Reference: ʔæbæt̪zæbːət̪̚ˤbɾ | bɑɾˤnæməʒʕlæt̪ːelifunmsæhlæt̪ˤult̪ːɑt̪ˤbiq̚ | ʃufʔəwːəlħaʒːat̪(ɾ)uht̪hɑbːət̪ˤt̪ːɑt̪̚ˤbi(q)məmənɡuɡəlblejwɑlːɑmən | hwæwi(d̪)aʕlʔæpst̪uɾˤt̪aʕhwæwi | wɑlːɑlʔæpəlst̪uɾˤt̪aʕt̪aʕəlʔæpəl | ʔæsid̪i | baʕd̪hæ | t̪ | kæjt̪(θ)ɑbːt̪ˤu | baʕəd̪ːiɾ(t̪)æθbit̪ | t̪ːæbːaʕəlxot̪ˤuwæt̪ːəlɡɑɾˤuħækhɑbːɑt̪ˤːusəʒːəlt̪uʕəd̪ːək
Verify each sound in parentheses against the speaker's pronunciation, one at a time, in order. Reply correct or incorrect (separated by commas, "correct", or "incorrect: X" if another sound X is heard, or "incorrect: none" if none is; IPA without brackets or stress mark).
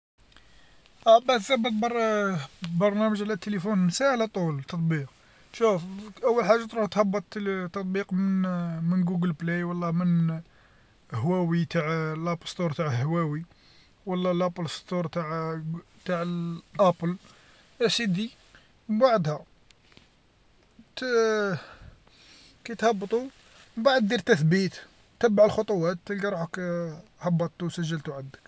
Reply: correct, correct, incorrect: t̪, incorrect: h, correct